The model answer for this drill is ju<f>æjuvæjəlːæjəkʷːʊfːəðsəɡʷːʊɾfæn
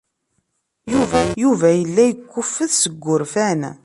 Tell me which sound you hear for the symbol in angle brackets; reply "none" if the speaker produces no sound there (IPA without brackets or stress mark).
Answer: v